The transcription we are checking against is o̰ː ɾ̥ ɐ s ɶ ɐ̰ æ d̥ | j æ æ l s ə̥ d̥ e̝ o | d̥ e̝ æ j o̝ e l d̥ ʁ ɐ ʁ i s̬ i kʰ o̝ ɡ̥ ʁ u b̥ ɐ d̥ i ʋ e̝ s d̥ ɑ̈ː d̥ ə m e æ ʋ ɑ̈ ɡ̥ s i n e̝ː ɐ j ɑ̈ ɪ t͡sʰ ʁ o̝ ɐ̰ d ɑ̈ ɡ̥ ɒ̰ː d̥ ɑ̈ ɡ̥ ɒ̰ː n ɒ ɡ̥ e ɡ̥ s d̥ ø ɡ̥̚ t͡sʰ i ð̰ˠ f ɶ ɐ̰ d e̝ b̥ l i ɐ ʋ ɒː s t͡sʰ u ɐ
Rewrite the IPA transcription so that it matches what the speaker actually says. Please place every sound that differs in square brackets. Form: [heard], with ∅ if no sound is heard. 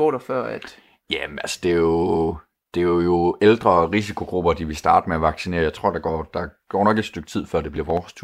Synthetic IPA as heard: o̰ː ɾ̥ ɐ [f] ɶ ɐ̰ æ d̥ | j æ æ l s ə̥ d̥ e̝ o | d̥ e̝ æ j o̝ e l d̥ ʁ ɐ ʁ i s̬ i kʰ o̝ ɡ̥ ʁ u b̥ ɐ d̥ i ʋ e̝ s d̥ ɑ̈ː d̥ ə m e æ ʋ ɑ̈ ɡ̥ s i n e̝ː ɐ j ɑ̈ ɪ t͡sʰ ʁ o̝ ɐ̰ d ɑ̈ ɡ̥ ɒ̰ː d̥ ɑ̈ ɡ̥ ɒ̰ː n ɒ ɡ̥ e [d̥] s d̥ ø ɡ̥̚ t͡sʰ i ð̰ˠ f ɶ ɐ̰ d e̝ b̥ l i ɐ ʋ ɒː s t͡sʰ u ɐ